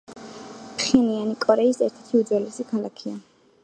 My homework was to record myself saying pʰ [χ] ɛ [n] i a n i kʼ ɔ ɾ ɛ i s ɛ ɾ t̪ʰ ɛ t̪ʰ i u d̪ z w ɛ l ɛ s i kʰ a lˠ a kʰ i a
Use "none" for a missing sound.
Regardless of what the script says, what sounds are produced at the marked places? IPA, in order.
χ, n

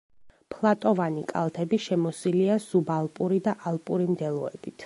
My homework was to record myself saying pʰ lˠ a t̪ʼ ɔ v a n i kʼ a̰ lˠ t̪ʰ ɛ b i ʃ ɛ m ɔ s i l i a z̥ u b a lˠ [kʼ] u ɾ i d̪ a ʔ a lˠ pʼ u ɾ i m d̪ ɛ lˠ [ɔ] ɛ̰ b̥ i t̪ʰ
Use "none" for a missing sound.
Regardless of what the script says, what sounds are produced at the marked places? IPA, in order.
pʼ, ɔ

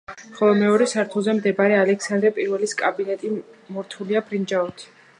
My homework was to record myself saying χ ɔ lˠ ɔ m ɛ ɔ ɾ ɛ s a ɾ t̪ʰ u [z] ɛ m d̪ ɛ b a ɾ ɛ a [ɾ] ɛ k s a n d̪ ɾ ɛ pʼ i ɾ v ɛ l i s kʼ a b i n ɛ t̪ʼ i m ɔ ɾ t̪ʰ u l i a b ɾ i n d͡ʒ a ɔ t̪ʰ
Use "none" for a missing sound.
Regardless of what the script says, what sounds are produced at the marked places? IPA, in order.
z, l

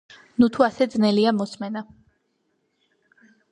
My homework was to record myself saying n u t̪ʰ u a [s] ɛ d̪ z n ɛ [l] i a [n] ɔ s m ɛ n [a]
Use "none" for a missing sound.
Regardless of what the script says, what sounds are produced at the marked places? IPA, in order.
s, l, m, a

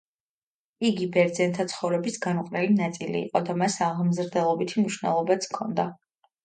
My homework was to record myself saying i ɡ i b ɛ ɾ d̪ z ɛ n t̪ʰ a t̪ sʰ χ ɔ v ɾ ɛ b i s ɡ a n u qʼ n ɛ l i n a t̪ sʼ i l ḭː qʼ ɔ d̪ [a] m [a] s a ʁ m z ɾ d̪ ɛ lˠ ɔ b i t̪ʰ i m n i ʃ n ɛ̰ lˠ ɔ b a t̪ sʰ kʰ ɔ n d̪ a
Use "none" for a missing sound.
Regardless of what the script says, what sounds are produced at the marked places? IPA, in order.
a, a

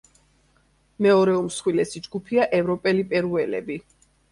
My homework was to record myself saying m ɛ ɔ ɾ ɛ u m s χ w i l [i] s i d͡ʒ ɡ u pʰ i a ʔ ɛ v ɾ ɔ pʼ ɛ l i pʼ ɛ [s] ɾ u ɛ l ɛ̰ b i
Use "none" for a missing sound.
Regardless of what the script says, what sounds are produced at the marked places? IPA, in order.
ɛ, none

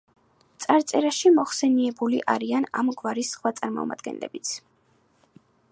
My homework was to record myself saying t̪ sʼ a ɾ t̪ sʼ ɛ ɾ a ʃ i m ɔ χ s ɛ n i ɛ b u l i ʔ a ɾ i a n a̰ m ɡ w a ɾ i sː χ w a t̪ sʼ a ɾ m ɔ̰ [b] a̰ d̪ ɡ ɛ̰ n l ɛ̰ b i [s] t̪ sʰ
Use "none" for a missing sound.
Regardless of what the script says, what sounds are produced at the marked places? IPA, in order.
m, none

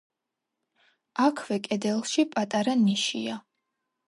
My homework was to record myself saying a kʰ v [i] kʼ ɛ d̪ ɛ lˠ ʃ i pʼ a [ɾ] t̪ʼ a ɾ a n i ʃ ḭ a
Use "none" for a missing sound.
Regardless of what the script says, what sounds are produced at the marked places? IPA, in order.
ɛ, none

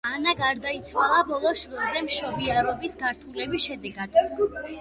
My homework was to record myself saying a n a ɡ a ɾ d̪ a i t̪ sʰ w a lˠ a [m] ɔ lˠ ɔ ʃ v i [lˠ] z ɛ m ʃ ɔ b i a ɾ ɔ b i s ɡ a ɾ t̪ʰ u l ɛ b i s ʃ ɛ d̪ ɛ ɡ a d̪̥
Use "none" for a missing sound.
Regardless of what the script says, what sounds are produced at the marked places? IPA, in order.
b, lˠ

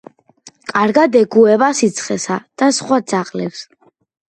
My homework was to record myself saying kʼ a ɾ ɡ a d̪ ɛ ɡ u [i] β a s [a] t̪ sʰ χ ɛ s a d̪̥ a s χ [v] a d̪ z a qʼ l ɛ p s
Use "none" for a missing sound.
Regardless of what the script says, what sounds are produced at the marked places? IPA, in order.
ɛ, i, w

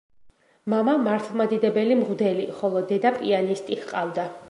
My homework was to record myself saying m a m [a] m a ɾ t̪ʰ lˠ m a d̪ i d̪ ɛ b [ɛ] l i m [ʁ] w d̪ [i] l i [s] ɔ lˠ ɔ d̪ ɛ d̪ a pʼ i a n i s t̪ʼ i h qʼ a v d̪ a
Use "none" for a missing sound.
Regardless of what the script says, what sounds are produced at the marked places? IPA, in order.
a, ɛ, ʁ, ɛ, χ

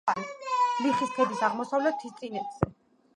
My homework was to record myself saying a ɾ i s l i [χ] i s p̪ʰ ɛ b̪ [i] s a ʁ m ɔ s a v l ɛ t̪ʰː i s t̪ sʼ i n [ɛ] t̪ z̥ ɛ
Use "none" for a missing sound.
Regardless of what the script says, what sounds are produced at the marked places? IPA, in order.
χ, i, ɛ

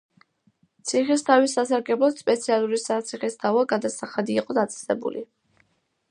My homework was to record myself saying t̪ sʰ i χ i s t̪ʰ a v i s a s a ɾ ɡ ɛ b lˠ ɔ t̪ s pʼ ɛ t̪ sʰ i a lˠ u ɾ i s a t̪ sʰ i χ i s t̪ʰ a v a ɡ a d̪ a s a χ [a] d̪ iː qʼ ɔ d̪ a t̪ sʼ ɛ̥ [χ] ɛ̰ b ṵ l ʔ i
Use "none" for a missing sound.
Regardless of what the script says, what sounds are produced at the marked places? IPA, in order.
a, s

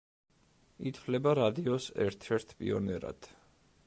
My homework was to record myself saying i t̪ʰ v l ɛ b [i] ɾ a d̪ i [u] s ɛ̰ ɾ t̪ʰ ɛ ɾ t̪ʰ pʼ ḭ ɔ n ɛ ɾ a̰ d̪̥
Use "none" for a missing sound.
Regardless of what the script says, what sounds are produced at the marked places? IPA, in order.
a, ɔ

